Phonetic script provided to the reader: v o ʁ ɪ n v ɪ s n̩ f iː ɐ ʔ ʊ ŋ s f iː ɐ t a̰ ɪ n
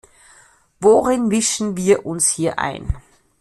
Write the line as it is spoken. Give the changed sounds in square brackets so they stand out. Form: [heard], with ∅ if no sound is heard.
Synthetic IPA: v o ʁ ɪ n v ɪ [ʃ] n̩ [v] iː ɐ ʔ ʊ [n] s [h] iː ɐ [ʔ] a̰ ɪ n